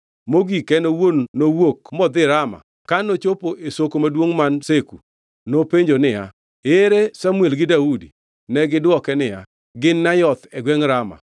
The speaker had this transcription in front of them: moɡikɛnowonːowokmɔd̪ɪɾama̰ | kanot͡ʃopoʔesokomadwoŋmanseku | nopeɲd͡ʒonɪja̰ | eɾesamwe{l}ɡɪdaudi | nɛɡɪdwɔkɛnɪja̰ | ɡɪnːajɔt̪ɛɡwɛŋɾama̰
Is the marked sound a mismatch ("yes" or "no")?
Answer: no